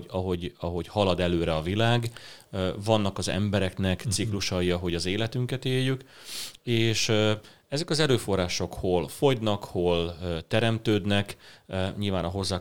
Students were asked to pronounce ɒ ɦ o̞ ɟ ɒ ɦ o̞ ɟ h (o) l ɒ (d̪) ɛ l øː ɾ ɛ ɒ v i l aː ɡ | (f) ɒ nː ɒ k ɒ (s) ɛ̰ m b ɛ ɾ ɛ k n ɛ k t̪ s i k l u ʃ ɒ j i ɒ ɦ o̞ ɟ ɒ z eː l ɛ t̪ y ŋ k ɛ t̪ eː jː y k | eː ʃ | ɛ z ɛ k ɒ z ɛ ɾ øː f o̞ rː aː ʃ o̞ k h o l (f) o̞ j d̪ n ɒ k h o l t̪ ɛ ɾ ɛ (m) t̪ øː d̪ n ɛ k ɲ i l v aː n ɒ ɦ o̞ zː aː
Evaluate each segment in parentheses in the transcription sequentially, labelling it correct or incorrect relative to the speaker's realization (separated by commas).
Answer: incorrect, correct, incorrect, incorrect, correct, correct